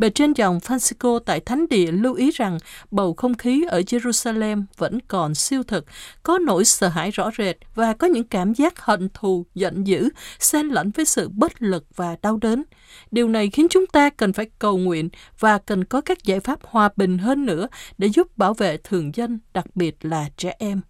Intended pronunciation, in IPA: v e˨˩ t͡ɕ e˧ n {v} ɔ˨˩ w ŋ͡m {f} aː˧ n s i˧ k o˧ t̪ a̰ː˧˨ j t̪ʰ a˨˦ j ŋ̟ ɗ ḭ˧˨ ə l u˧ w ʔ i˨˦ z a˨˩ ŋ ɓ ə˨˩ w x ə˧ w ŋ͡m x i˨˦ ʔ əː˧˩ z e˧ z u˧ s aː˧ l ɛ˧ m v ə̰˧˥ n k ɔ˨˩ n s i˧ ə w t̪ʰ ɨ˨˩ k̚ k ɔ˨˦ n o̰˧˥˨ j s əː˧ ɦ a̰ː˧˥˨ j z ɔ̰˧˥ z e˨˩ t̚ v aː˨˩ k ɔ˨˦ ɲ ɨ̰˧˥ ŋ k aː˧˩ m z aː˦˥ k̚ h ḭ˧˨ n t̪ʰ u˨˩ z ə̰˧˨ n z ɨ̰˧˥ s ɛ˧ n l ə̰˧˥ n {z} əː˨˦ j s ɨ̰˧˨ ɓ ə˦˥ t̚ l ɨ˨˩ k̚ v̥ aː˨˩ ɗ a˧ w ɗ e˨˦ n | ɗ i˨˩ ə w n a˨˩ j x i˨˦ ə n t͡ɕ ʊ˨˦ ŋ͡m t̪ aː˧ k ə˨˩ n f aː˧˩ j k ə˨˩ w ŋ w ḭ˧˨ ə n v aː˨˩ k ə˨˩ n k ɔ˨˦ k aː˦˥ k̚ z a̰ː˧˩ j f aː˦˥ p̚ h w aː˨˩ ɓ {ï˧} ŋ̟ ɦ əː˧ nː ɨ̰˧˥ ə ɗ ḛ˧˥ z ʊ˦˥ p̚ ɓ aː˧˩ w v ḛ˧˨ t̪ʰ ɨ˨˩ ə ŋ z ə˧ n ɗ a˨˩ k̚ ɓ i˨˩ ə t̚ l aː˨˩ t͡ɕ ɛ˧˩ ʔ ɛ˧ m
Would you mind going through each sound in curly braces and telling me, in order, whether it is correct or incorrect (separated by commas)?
incorrect, correct, incorrect, incorrect